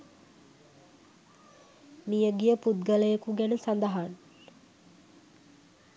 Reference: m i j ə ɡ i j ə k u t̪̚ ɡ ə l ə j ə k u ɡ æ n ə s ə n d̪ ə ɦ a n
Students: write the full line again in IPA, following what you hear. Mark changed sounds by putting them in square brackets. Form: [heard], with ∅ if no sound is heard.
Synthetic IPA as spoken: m i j ə ɡ i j ə [p] u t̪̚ ɡ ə l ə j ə k u ɡ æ n ə s [a] n d̪ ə ɦ a n